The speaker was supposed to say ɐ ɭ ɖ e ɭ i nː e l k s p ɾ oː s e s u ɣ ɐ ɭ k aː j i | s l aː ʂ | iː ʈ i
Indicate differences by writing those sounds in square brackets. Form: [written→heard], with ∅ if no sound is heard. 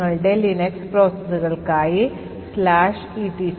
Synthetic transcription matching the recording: ɐ ɭ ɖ e [ɭ→l] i [nː→n] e [l→∅] k s p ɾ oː s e s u ɣ ɐ ɭ k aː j i | s l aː ʂ | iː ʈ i